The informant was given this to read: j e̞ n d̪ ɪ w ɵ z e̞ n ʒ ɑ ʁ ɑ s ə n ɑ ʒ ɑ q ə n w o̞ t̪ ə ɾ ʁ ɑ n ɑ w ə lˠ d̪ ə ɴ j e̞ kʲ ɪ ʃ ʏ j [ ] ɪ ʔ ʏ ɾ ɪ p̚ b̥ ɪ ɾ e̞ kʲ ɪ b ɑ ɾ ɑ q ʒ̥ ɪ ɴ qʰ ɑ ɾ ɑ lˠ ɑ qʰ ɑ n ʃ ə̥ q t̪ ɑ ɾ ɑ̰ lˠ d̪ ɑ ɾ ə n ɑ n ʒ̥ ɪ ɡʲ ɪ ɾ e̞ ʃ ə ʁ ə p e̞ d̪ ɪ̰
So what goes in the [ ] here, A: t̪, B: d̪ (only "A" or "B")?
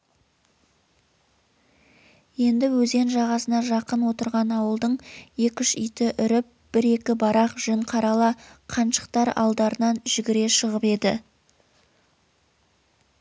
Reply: A